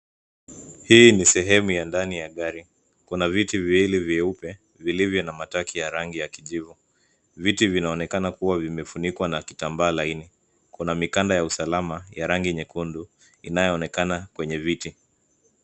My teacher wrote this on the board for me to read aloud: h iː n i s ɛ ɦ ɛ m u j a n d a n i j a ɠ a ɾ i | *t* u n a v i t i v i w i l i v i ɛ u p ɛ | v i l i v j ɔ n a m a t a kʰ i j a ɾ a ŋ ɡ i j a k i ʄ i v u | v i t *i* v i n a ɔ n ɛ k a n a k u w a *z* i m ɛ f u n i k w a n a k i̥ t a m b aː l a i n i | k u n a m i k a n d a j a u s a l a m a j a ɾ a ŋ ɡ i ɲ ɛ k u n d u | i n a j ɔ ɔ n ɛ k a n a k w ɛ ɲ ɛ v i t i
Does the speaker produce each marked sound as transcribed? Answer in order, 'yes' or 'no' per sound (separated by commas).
no, yes, no